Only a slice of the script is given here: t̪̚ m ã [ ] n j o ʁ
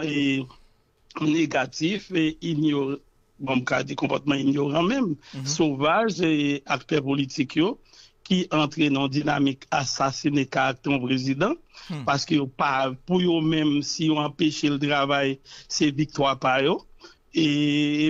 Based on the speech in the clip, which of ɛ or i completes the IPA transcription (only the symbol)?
i